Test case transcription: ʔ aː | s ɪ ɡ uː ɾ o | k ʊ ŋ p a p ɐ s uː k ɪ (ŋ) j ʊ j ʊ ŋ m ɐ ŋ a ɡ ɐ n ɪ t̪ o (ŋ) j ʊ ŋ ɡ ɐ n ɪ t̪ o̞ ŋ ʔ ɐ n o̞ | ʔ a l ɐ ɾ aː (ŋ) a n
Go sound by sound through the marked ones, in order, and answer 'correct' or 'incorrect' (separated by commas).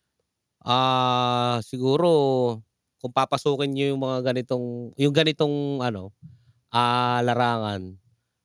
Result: incorrect, correct, correct